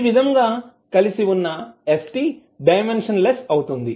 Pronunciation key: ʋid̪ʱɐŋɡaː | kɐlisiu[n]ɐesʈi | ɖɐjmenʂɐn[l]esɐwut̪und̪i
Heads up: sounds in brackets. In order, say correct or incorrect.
incorrect: nː, correct

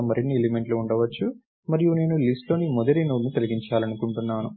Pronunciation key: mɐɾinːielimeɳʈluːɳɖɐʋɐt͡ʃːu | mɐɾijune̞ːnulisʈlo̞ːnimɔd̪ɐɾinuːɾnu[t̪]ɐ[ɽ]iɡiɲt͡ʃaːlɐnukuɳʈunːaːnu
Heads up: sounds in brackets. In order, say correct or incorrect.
correct, incorrect: l

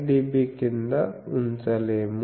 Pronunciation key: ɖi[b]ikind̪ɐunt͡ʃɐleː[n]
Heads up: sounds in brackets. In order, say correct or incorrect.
correct, incorrect: m

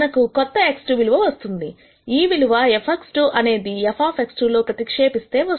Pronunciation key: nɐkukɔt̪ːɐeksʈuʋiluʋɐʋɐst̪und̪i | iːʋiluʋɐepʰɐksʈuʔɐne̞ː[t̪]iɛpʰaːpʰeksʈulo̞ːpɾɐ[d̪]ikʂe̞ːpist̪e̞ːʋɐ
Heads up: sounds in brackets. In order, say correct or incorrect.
incorrect: d̪, incorrect: t̪

